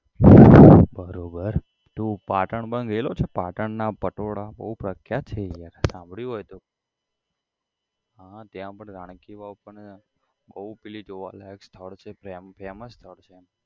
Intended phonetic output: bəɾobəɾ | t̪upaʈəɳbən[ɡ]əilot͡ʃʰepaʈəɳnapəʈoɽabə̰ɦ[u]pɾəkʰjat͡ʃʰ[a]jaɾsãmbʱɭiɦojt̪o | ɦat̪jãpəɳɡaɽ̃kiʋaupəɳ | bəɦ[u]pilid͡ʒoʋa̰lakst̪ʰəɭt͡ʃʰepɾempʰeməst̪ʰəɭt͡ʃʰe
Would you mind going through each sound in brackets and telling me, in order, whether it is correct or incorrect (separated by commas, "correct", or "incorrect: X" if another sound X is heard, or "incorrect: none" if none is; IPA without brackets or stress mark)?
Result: correct, correct, incorrect: e, correct